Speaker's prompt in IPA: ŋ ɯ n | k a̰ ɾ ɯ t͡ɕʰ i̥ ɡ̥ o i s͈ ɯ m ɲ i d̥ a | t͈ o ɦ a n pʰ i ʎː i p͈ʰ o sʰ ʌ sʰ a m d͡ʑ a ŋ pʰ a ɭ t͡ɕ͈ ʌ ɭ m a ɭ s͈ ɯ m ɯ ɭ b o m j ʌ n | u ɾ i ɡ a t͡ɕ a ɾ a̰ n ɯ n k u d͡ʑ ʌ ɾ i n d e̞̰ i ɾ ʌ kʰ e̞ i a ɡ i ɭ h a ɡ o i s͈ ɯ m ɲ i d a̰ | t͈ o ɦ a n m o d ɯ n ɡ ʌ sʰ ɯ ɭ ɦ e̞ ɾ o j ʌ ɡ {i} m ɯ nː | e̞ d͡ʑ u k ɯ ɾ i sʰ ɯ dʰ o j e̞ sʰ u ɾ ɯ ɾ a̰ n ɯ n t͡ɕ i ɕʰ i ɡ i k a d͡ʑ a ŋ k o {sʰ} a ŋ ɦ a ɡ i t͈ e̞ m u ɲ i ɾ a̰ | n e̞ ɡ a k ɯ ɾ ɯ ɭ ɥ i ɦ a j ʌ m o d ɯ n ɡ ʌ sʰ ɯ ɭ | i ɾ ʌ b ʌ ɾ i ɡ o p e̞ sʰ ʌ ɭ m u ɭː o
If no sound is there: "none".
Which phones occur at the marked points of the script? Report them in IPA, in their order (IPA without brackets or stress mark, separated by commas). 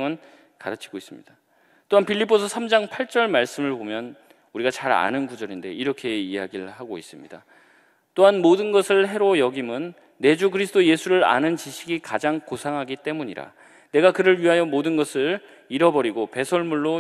i, sʰ